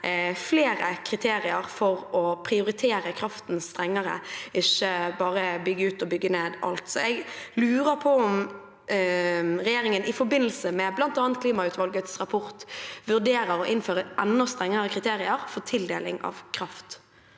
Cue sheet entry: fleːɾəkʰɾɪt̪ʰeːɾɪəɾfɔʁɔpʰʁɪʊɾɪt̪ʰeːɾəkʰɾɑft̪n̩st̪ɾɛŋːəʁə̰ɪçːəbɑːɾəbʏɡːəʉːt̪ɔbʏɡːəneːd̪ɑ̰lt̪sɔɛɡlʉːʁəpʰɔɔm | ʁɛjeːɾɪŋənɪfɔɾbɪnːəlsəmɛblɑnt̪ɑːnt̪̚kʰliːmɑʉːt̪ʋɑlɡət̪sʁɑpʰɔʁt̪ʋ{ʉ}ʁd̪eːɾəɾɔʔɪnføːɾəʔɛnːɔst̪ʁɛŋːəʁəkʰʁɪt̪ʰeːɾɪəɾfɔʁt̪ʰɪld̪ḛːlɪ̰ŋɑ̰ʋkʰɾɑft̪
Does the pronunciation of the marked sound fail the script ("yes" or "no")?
no